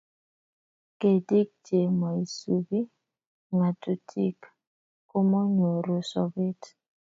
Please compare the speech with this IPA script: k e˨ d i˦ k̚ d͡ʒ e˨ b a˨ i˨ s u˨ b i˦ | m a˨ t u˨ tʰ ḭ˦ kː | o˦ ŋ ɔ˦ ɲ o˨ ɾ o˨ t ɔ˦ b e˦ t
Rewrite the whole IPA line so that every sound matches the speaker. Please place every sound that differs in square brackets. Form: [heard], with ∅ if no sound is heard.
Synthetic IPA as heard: k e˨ d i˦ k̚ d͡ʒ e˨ [m] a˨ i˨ s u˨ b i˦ | [ŋ] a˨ t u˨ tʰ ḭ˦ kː | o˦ [m] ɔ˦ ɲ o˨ ɾ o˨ [s] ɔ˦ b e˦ t

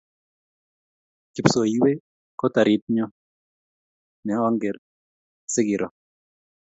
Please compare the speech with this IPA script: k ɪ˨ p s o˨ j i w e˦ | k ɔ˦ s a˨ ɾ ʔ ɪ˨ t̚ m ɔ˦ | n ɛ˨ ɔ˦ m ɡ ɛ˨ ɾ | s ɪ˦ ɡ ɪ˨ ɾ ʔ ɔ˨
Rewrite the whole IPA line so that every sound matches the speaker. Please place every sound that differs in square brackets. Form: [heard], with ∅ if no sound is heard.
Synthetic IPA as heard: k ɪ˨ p s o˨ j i w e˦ | k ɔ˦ [t] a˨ ɾ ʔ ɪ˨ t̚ [ɲ] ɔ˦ | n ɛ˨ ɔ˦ [ŋ] ɡ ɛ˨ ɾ | s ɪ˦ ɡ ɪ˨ ɾ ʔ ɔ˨

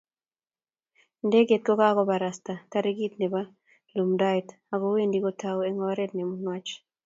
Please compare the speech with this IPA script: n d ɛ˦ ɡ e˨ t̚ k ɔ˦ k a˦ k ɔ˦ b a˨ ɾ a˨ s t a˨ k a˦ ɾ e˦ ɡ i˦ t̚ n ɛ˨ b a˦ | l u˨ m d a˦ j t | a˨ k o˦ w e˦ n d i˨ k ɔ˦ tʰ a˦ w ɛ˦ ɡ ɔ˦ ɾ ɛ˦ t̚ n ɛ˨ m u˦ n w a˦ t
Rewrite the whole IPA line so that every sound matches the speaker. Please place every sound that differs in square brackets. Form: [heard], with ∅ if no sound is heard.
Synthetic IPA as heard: n d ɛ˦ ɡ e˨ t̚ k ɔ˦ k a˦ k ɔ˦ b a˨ ɾ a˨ s t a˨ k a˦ ɾ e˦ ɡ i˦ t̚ n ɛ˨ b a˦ | l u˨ m d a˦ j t | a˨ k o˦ w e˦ n d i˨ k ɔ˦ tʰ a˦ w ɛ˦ [ŋ] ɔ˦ ɾ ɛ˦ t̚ n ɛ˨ m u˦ n w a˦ [t͡ʃ]

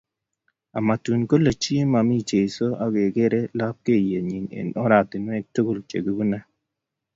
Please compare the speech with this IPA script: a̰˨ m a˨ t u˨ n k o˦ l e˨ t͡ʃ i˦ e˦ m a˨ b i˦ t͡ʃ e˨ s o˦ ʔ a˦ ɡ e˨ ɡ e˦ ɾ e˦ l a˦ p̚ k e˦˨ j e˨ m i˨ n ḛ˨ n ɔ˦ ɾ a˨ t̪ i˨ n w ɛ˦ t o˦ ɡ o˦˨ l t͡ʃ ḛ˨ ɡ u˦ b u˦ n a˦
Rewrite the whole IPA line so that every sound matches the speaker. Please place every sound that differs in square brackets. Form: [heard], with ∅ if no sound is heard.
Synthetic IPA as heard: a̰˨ m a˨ t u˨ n k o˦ l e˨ t͡ʃ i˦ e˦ m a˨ [m] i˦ t͡ʃ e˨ s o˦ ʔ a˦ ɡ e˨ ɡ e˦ ɾ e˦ l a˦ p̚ k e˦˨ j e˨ [ɲ] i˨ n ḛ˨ n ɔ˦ ɾ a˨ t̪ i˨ n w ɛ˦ t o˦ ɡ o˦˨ l t͡ʃ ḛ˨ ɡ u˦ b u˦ n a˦

